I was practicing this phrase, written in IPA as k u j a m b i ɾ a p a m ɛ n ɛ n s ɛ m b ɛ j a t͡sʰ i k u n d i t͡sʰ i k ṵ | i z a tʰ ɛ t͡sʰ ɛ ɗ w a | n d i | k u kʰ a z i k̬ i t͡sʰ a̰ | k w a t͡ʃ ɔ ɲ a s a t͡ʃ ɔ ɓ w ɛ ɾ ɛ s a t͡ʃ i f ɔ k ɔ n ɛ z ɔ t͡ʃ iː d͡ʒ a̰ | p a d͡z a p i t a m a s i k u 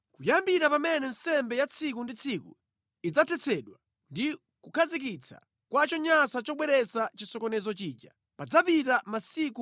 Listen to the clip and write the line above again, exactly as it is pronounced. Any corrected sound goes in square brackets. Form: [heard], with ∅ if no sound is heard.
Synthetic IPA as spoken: k u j a m b i ɾ a p a m ɛ n ɛ n s ɛ m b ɛ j a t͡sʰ i k u n d i t͡sʰ i k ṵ | i [d͡z] a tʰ ɛ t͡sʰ ɛ ɗ w a | n d i | k u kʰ a z i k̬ i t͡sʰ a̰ | k w a t͡ʃ ɔ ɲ a s a t͡ʃ ɔ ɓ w ɛ ɾ ɛ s a t͡ʃ i [s] ɔ k ɔ n ɛ z ɔ t͡ʃ iː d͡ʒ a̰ | p a d͡z a p i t a m a s i k u